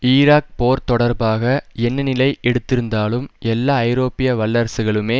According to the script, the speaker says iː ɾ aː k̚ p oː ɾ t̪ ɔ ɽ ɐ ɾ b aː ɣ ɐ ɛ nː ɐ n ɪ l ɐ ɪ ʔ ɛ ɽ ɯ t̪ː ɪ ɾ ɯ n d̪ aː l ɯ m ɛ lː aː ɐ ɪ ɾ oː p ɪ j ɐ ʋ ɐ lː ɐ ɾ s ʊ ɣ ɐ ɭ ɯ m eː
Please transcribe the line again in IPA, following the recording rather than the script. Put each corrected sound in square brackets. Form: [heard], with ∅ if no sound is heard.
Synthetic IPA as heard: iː ɾ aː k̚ p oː ɾ t̪ ɔ ɽ ɐ ɾ b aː ɣ ɐ ɛ nː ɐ n ɪ l ɐ ɪ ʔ ɛ ɽ ɯ t̪ː ɪ ɾ ɯ n d̪ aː l ɯ m ɛ lː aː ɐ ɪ ɾ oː p ɪ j ɐ ʋ ɐ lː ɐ ɾ s [ɯ] ɣ ɐ ɭ ɯ m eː